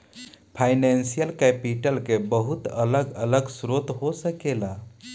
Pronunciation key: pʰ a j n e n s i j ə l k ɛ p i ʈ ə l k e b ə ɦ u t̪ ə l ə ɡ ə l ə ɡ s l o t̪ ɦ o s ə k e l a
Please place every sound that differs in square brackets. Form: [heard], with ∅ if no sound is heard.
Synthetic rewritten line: pʰ a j n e n s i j ə l k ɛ p i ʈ ə l k e b ə ɦ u t̪ ə l ə ɡ ə l ə ɡ s [ɾ] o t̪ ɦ o s ə k e l a